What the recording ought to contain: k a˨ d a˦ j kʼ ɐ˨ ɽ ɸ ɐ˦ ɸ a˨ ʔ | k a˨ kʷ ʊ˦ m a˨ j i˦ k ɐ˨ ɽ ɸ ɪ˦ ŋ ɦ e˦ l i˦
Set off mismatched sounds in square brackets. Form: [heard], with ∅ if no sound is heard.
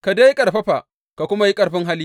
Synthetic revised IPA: k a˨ d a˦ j kʼ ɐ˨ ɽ ɸ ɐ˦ ɸ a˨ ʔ | k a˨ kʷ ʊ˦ m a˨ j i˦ [kʼ] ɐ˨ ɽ ɸ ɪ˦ ŋ ɦ [a˦] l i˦